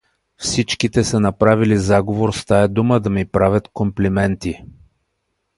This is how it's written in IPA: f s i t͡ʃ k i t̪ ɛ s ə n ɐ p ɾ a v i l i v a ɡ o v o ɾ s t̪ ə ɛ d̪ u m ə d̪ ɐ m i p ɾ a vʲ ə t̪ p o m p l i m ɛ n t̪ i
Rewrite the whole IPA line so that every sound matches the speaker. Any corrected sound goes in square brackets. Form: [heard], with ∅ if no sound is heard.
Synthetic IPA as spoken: f s i t͡ʃ k i t̪ ɛ s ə n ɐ p ɾ a v i l i [z] a ɡ o v o ɾ s t̪ [a] ɛ d̪ u m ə d̪ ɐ m i p ɾ a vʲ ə t̪ [k] o m p l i m ɛ n t̪ i